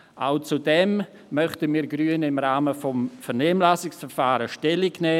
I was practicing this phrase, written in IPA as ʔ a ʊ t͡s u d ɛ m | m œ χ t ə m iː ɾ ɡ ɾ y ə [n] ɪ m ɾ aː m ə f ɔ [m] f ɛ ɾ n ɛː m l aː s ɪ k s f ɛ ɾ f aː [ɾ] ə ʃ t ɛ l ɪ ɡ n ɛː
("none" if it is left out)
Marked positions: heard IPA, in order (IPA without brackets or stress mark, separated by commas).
n, m, ɾ